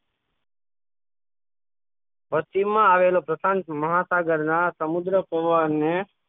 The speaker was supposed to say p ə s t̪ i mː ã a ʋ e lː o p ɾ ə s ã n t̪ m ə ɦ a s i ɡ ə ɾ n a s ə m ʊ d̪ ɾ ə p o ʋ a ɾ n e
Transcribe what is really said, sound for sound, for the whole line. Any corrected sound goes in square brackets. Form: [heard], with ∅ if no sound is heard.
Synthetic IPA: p ə s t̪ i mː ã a ʋ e [l] o p ɾ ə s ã n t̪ m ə ɦ a s [a] ɡ ə ɾ n a s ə m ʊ d̪ ɾ ə p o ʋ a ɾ n e